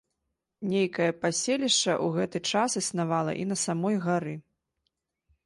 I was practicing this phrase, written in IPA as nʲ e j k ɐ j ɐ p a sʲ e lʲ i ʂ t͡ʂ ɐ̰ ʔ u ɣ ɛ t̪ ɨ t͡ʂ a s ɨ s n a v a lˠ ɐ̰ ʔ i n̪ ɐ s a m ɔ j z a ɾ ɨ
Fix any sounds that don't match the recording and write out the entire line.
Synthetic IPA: nʲ e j k ɐ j ɐ p a sʲ e lʲ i ʂ t͡ʂ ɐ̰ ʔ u ɣ ɛ t̪ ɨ t͡ʂ a s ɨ s n a v a lˠ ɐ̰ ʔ i n̪ ɐ s a m ɔ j ɣ a ɾ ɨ